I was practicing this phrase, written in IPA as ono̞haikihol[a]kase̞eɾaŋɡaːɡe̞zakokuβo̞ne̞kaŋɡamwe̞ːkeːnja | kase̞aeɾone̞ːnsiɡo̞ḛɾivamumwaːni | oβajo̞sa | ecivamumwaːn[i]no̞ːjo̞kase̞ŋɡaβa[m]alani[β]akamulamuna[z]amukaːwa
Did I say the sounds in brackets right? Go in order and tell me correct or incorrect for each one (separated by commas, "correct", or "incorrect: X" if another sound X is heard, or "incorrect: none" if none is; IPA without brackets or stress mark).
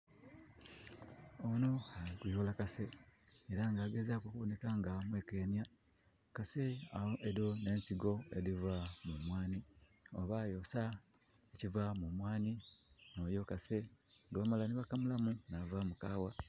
correct, correct, correct, correct, incorrect: v